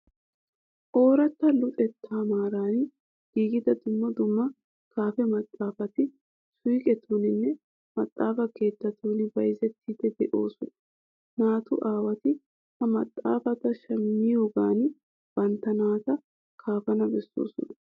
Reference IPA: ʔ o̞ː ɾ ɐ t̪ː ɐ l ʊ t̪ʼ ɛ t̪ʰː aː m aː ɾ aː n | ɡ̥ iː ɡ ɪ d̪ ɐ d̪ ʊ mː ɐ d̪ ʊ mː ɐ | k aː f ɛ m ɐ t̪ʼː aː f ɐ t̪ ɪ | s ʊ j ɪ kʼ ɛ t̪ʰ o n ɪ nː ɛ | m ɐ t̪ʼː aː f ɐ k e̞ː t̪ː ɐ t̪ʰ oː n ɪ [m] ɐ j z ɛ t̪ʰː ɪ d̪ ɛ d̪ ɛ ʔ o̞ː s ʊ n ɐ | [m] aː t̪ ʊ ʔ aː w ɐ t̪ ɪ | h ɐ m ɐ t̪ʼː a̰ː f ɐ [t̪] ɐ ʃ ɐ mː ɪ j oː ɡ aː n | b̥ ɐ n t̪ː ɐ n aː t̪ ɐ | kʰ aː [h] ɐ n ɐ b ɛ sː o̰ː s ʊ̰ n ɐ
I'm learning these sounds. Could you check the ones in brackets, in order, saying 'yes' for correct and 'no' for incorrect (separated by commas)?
no, no, yes, no